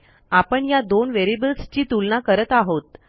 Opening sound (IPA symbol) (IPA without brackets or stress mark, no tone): a